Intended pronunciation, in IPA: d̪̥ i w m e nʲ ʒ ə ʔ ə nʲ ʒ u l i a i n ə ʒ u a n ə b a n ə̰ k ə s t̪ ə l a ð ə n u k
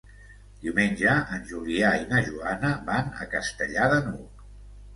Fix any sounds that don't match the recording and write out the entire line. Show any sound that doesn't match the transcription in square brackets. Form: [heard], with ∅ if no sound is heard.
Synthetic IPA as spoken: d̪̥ i w m e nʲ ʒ ə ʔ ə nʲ ʒ u l i a i n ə ʒ u a n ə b a n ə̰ k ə s t̪ ə [ʎ] a ð ə n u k